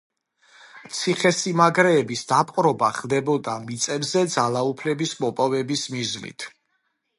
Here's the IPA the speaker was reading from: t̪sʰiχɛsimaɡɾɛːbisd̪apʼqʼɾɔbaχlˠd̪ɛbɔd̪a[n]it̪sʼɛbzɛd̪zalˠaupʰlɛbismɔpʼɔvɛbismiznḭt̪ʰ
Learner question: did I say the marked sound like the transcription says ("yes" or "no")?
no